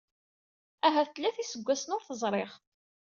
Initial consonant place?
glottal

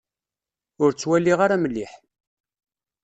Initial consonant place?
alveolar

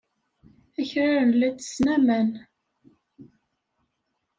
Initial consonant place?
palatal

